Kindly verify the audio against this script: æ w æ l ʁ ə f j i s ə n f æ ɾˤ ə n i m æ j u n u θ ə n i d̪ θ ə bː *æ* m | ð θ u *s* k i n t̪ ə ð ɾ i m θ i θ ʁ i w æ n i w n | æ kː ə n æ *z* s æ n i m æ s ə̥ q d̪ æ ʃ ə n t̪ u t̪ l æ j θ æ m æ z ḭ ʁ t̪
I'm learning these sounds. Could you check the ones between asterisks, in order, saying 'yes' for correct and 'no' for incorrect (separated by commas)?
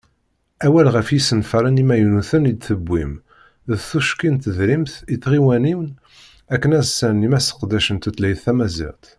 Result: no, no, yes